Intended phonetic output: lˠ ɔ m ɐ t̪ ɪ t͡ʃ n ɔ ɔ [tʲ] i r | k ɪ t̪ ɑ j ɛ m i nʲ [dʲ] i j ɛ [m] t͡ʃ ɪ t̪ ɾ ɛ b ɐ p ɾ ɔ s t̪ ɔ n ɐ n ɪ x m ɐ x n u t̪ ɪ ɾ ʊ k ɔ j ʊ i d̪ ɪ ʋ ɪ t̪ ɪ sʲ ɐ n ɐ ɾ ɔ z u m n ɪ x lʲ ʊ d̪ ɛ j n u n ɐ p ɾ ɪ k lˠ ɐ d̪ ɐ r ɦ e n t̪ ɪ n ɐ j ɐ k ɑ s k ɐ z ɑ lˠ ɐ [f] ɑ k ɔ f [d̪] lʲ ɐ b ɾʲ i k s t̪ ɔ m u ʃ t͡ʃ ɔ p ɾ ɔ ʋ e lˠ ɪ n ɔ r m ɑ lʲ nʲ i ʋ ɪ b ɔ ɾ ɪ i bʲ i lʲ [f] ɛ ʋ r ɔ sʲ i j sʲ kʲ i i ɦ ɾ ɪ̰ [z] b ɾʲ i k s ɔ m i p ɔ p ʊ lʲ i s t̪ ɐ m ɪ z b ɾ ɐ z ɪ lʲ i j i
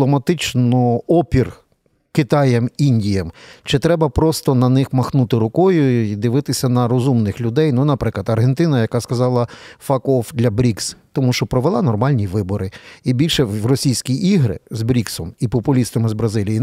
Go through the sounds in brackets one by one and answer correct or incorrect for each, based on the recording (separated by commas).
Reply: incorrect, correct, correct, correct, correct, incorrect, correct